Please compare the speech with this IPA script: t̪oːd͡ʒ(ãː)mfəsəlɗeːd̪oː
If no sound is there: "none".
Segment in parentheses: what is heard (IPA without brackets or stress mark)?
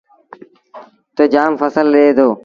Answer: aː